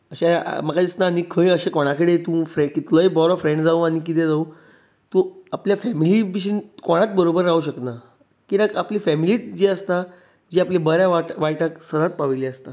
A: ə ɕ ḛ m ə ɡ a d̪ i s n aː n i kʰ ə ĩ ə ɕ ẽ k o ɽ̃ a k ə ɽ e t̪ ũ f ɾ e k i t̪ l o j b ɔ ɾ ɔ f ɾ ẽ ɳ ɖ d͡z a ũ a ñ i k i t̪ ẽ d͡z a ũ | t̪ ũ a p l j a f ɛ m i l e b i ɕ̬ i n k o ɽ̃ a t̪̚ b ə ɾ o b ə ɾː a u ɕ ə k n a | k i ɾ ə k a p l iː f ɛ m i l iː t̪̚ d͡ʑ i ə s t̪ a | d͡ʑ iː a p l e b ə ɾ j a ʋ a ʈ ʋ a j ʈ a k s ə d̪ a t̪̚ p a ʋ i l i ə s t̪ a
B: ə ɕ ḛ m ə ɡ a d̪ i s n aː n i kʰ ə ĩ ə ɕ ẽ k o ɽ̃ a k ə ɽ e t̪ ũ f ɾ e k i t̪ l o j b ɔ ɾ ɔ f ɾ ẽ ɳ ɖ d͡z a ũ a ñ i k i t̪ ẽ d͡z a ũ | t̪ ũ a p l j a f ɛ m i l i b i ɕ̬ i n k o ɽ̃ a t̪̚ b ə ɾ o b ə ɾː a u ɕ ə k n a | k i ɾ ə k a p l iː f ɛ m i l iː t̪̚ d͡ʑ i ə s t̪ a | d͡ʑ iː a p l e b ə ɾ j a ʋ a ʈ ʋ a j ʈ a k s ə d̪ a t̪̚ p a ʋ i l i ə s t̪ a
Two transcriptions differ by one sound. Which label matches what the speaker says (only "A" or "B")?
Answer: B